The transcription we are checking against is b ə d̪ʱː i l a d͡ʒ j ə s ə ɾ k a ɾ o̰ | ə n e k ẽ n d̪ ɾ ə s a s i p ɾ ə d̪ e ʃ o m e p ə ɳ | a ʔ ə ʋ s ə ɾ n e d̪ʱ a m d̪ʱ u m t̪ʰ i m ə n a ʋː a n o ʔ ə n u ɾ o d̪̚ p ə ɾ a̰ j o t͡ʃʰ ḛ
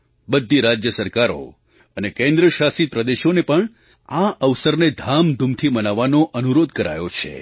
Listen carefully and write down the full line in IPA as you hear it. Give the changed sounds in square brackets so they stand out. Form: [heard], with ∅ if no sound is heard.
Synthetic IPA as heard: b ə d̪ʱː i [ɾ] a d͡ʒ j ə s ə ɾ k a ɾ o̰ | ə n e k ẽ n d̪ ɾ ə [ʃ] a s i p ɾ ə d̪ e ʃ o [n] e p ə ɳ | a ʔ ə ʋ s ə ɾ n e d̪ʱ a m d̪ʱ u m t̪ʰ i m ə n a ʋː a n o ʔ ə n u ɾ o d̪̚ [k] ə ɾ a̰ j o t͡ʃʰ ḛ